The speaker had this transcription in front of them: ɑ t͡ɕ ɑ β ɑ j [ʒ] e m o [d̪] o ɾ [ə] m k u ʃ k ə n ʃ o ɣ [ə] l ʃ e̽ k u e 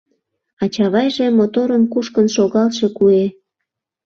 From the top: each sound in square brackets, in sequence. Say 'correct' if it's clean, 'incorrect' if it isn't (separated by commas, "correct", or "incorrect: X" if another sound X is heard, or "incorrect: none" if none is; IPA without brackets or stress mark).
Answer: correct, incorrect: t̪, correct, incorrect: ɑ